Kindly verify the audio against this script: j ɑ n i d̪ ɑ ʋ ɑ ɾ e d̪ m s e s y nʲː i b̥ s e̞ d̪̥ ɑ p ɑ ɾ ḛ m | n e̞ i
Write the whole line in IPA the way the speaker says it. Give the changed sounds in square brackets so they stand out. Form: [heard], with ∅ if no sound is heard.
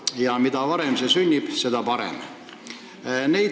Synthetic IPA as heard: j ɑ [m] i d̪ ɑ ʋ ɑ ɾ e [∅] m s e s y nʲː i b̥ s e̞ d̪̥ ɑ p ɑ ɾ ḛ m | n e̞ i